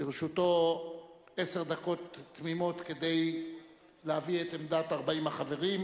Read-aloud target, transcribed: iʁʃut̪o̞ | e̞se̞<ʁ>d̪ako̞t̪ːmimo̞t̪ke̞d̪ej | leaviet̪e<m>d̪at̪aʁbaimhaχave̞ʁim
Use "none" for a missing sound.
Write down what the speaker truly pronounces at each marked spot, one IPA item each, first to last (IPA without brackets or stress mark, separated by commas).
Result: ʁ, m